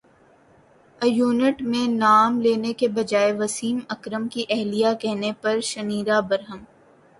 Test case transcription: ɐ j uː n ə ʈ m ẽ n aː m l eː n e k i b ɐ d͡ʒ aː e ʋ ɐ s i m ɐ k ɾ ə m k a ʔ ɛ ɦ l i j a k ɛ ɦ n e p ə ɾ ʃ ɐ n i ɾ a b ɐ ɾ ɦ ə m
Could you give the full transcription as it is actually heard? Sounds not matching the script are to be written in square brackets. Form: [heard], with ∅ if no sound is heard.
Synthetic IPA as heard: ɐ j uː n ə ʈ m ẽ n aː m l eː n e k [e] b ɐ d͡ʒ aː e ʋ ɐ s [iː] m ɐ k ɾ ə m k [i] ʔ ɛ ɦ l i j a k ɛ ɦ n e p [ɐ] ɾ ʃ ɐ n [iː] ɾ a b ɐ ɾ ɦ ə m